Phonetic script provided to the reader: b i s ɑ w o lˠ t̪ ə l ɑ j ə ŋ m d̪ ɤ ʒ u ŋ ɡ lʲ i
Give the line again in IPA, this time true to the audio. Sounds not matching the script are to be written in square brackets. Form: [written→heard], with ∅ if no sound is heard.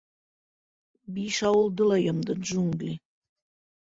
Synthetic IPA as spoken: b i [s→ʃ] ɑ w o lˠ [t̪→d̪] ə l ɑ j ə [ŋ→∅] m d̪ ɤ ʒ u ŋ ɡ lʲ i